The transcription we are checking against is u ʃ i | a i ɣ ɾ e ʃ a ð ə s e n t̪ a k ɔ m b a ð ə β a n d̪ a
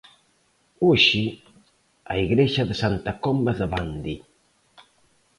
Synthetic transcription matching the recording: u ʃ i | a i ɣ ɾ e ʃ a ð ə s a n t̪ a k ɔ m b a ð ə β a n d̪ i